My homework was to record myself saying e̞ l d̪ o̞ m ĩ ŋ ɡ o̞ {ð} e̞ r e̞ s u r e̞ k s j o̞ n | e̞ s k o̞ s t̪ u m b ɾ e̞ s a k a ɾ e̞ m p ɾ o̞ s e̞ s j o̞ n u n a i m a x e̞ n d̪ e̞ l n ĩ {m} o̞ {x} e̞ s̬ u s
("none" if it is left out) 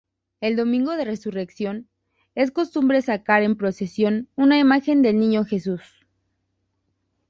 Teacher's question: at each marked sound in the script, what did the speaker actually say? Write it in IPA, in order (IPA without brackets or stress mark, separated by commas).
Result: ð, ɲ, x